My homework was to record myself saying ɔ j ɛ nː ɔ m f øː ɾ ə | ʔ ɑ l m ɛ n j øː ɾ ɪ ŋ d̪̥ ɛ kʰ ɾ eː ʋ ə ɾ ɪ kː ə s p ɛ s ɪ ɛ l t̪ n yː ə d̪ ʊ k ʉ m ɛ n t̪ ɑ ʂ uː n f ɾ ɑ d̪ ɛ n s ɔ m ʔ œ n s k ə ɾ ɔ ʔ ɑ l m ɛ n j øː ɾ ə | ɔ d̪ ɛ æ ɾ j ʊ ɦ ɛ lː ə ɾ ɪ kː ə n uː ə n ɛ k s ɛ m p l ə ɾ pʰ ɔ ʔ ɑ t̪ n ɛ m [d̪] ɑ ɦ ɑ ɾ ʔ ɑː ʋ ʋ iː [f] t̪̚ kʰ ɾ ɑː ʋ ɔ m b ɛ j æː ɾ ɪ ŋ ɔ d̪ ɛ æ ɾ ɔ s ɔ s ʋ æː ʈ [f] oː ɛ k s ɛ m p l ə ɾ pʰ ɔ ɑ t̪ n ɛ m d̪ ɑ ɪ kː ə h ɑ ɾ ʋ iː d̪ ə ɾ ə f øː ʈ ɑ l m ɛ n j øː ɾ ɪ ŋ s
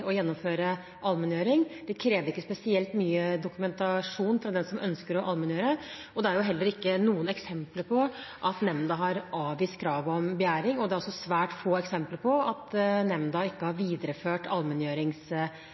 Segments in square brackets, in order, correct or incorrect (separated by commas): correct, incorrect, correct